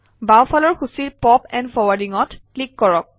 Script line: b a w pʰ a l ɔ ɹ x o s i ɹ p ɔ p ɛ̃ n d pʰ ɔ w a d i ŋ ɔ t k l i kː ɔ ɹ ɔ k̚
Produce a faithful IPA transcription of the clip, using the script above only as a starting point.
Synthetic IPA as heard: b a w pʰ a l ɔ ɹ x u s i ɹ p ɔ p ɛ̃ n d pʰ ɔ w a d i ŋ ɔ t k l i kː ɔ ɹ ɔ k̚